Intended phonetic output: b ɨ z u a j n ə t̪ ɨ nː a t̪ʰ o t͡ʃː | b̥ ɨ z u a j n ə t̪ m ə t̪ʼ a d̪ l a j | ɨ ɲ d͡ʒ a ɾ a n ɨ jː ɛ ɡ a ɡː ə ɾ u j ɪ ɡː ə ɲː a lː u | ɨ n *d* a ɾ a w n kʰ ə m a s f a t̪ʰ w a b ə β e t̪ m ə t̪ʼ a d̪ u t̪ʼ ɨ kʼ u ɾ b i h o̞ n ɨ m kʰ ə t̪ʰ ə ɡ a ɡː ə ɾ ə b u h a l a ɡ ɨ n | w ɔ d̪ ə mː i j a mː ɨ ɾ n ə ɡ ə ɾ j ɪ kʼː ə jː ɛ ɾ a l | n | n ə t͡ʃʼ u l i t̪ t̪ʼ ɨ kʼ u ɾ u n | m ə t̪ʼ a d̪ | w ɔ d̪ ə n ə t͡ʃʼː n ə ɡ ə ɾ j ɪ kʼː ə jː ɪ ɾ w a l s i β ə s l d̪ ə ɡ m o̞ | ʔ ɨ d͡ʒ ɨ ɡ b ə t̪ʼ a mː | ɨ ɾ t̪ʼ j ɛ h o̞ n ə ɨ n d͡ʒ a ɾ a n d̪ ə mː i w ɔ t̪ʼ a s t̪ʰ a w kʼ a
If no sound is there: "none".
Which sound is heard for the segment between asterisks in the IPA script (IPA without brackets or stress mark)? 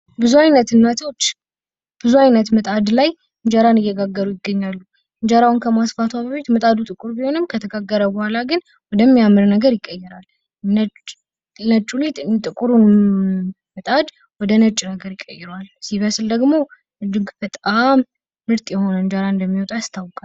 d͡ʒ